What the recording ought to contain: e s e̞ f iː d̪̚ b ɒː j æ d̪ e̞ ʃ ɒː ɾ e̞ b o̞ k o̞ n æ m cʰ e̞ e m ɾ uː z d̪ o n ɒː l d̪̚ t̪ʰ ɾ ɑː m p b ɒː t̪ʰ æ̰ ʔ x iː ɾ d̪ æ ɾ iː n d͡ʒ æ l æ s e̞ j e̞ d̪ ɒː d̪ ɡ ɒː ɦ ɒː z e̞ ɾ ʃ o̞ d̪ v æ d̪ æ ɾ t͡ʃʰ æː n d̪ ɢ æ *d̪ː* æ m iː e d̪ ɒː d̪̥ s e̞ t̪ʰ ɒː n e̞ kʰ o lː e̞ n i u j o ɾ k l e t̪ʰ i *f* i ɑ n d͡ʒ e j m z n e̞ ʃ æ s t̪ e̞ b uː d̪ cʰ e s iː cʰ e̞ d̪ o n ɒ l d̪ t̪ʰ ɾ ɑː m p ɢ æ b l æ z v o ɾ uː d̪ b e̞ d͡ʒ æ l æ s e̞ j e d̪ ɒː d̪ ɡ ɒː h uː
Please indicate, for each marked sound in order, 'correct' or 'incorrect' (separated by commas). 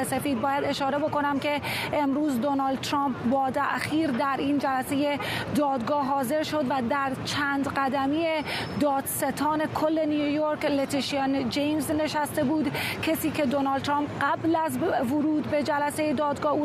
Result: incorrect, incorrect